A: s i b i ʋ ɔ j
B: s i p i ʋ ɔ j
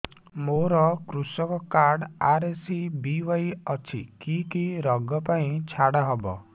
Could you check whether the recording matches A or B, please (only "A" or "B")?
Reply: A